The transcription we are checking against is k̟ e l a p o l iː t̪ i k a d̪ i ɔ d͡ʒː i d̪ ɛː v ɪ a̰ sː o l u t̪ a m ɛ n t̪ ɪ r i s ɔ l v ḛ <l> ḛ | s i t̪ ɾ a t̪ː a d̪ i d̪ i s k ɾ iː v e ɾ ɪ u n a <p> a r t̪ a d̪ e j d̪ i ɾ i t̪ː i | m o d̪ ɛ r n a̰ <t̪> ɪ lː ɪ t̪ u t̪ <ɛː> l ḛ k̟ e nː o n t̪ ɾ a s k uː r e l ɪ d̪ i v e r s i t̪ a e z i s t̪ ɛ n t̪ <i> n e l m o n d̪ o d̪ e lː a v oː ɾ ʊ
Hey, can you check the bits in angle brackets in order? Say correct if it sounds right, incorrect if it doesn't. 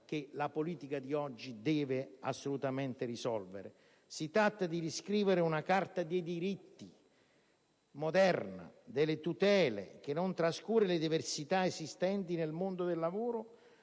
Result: incorrect: ɾ, incorrect: k, incorrect: d̪, correct, correct

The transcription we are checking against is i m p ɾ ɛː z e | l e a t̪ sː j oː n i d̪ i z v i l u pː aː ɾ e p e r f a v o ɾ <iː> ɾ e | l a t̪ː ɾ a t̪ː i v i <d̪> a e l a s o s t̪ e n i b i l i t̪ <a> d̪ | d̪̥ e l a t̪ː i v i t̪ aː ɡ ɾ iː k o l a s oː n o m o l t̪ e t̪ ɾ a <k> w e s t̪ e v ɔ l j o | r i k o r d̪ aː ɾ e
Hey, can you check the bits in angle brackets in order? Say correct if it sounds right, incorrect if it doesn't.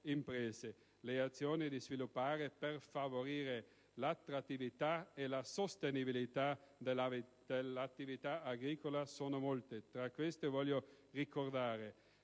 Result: correct, incorrect: t̪, correct, correct

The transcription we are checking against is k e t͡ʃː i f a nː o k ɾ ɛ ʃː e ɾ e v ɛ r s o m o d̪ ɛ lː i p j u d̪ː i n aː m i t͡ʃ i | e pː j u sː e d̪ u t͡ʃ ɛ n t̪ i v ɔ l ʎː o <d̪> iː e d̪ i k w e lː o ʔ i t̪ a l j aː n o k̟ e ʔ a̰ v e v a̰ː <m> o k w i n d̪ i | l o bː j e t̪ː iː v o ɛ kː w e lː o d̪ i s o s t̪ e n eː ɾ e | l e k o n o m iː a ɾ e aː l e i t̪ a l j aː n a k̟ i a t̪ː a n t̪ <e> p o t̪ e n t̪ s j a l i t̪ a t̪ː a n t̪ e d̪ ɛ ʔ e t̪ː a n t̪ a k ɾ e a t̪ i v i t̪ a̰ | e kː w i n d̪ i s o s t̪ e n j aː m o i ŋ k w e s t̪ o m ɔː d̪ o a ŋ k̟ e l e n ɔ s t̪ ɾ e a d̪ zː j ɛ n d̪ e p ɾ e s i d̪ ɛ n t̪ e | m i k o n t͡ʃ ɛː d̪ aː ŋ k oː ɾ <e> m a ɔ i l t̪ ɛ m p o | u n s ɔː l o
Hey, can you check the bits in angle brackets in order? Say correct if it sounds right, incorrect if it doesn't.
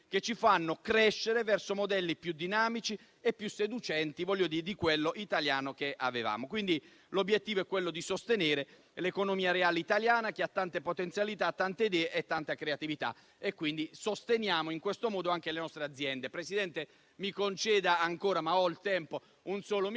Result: correct, correct, correct, incorrect: a

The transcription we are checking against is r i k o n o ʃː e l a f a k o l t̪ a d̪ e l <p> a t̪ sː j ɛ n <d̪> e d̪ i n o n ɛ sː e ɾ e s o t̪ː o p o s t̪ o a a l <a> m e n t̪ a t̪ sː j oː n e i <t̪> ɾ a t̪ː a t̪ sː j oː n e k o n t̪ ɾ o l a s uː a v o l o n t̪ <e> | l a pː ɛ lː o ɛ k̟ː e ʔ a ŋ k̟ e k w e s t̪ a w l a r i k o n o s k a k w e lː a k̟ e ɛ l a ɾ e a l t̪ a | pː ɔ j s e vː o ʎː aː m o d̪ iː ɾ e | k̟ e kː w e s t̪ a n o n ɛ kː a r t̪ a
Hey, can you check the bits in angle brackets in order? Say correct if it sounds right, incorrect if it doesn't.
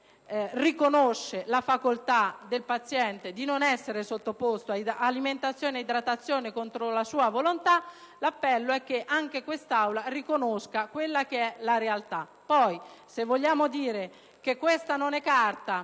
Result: correct, incorrect: t̪, incorrect: i, incorrect: d̪, incorrect: a

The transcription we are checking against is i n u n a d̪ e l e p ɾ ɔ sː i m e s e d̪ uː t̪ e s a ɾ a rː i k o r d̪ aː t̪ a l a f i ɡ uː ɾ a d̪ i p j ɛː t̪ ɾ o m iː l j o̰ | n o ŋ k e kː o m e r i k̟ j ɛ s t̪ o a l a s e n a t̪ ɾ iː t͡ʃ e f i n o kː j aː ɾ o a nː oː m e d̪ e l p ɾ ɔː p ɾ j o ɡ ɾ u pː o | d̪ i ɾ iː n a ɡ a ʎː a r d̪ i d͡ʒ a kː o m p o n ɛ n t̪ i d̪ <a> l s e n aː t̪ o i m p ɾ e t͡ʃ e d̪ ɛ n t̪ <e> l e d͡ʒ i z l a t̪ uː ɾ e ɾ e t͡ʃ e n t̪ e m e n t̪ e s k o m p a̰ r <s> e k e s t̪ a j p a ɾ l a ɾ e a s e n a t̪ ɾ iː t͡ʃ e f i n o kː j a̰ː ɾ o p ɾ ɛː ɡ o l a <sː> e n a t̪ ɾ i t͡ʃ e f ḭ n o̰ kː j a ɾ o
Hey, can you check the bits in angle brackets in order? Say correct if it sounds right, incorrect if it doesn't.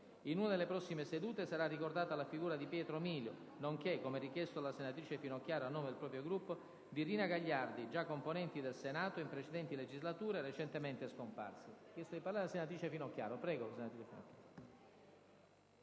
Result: incorrect: e, incorrect: i, correct, incorrect: s

